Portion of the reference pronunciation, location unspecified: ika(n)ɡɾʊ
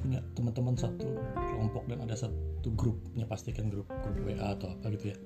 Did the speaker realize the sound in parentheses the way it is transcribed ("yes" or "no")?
yes